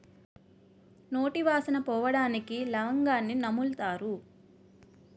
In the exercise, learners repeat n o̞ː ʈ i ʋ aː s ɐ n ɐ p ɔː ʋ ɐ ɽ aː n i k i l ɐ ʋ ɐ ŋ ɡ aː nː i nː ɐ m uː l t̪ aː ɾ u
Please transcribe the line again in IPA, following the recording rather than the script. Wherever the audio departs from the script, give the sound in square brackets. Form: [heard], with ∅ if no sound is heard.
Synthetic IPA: n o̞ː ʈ i ʋ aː s ɐ n ɐ p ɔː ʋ ɐ ɽ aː n i k i l ɐ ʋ ɐ ŋ ɡ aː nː i [n] ɐ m [u] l t̪ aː ɾ u